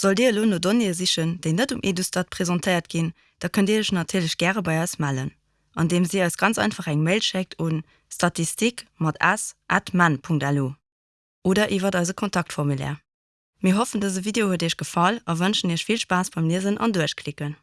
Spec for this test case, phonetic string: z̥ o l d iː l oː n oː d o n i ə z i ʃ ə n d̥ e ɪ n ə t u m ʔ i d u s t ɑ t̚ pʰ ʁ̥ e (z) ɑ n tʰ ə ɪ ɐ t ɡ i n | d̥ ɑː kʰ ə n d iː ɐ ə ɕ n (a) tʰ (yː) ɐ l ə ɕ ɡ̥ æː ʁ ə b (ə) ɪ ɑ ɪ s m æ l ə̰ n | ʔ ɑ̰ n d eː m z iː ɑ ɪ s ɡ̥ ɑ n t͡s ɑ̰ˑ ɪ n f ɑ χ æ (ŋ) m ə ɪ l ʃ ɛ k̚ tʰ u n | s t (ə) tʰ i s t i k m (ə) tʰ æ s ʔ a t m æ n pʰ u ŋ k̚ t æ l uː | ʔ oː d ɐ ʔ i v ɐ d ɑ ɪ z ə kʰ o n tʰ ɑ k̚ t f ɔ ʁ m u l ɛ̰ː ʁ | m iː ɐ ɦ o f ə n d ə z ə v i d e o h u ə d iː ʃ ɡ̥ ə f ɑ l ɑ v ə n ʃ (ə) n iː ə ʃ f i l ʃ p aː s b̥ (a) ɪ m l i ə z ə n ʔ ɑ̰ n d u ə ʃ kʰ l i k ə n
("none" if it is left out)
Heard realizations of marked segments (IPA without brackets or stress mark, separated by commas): z, ɑ, iː, ɑ, ŋ, ɑ, ɑ, ə, ɑ